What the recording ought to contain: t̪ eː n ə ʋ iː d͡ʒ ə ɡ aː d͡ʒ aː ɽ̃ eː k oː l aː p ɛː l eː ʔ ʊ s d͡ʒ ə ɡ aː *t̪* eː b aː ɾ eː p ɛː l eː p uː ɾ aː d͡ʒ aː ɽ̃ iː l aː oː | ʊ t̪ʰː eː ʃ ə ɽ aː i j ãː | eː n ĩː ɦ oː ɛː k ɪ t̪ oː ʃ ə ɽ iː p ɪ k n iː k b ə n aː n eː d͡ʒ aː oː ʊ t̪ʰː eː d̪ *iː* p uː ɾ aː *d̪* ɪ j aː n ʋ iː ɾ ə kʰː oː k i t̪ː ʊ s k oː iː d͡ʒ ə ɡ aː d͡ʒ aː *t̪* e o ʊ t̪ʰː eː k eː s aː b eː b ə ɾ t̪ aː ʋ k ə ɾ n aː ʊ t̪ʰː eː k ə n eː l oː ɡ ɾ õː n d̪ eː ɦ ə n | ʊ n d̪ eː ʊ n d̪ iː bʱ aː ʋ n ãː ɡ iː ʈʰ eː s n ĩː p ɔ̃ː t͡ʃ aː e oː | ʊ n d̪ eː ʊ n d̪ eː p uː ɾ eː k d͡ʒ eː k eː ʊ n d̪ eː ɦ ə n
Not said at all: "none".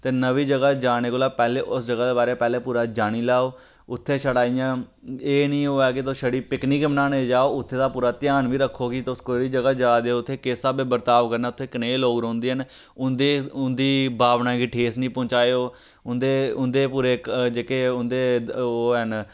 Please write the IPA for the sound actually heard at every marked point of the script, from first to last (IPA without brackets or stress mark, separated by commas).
d̪, aː, t̪, d̪